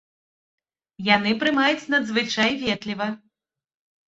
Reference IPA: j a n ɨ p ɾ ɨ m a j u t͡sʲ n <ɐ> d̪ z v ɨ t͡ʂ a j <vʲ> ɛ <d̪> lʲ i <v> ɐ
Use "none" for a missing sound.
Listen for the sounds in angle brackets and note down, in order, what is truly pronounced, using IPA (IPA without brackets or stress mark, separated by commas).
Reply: ɐ, vʲ, t̪, v